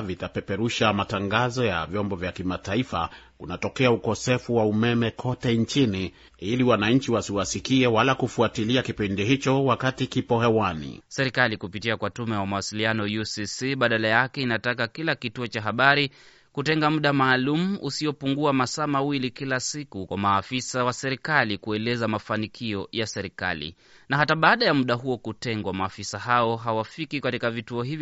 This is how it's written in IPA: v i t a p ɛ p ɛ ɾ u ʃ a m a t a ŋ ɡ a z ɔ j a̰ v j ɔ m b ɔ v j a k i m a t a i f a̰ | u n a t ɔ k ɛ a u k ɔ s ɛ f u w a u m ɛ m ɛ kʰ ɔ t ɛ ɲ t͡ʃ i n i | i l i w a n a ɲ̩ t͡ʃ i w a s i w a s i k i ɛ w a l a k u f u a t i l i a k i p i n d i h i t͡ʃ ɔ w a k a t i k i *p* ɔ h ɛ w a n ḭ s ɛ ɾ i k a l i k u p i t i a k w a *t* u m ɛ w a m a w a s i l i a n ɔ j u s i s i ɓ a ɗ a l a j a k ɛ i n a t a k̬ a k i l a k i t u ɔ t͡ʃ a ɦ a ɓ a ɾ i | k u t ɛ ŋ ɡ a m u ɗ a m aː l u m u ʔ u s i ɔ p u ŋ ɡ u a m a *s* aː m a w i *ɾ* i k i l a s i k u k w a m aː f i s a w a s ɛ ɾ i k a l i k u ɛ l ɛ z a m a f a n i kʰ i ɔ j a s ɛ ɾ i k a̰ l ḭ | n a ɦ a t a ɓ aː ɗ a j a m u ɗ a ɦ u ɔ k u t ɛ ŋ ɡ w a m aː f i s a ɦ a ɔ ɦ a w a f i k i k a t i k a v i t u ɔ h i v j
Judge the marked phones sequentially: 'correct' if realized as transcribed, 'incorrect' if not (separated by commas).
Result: correct, correct, correct, incorrect